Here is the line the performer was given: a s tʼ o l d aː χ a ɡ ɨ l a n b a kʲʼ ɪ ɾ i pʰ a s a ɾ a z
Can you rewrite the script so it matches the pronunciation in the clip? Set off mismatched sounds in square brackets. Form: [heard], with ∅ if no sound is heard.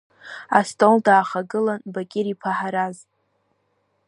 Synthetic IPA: a s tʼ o l d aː χ a ɡ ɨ l a n b a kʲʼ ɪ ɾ i pʰ a [ħ] a ɾ a z